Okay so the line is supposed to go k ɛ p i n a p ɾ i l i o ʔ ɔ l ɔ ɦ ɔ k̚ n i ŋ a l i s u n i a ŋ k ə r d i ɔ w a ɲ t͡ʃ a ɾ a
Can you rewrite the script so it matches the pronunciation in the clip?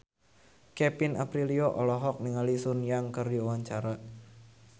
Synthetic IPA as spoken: k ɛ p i n a p ɾ i l i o ʔ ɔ l ɔ ɦ ɔ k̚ n i ŋ a l i s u n j a ŋ k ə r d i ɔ w a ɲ t͡ʃ a ɾ a